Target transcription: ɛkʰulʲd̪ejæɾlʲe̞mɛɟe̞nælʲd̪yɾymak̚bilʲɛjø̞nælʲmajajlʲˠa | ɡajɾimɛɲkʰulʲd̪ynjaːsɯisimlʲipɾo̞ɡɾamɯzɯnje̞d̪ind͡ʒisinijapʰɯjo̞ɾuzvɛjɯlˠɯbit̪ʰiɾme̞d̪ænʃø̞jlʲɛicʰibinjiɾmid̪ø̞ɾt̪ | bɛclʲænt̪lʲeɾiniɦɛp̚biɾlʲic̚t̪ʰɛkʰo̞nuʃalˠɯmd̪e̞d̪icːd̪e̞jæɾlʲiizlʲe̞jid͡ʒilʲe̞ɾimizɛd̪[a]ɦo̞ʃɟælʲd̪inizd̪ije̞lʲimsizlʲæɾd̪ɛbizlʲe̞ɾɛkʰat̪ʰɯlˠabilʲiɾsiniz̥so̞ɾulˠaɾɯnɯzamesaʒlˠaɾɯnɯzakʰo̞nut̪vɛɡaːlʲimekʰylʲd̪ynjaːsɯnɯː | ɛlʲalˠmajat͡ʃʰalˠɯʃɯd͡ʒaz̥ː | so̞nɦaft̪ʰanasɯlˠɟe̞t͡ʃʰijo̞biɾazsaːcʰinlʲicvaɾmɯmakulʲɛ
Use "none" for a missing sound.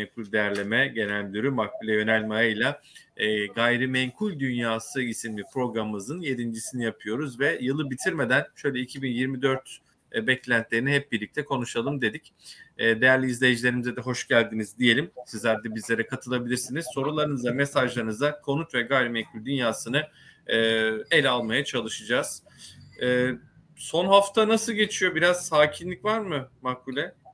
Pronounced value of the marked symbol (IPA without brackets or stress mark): ɛ